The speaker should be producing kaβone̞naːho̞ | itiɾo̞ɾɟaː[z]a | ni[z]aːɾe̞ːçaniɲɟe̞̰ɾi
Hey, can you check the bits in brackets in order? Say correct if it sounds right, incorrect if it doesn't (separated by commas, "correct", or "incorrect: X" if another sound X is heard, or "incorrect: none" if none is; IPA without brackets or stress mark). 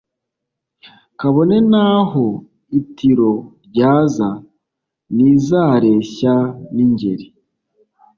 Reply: correct, correct